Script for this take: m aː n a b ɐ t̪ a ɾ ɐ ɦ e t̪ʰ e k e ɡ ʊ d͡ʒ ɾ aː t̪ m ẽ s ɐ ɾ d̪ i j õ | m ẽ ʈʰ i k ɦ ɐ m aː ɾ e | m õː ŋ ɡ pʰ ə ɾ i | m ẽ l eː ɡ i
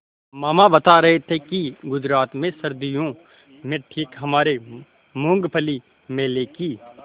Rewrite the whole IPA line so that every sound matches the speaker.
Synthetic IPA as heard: m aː m a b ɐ t̪ a ɾ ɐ ɦ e t̪ʰ e k i ɡ ʊ d͡ʒ ɾ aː t̪ m ẽ s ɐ ɾ d̪ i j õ | m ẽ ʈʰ iː k ɦ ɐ m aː ɾ e | m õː ŋ ɡ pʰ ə l i | m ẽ l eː k i

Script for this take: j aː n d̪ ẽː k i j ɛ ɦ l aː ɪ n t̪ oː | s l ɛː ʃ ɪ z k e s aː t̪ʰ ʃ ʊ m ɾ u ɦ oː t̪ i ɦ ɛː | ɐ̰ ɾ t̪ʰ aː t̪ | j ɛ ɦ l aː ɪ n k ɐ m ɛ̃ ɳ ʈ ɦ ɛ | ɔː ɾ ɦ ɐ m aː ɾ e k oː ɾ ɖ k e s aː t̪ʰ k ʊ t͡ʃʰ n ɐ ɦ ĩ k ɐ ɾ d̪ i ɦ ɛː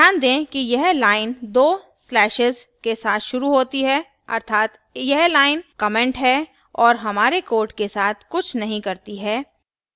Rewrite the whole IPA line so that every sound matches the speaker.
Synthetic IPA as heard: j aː n d̪ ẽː k i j ɛ ɦ l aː ɪ n d̪ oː | s l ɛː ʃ ɪ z k e s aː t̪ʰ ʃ ʊ ɾ u ɦ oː t̪ i ɦ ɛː | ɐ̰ ɾ t̪ʰ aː t̪ | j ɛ ɦ l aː ɪ n k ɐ m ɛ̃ ɳ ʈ ɦ ɛ | ɔː ɾ ɦ ɐ m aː ɾ e k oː ɾ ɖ k e s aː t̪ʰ k ʊ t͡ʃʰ n ɐ ɦ ĩ k ɐ ɾ t̪ i ɦ ɛː

